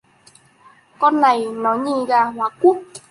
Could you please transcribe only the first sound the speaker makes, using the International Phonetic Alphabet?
k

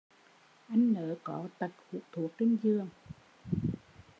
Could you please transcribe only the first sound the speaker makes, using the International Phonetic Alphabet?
ʔ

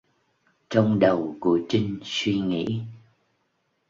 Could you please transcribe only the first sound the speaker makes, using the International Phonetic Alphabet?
t͡ɕ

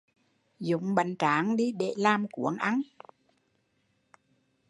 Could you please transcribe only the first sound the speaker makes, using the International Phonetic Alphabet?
z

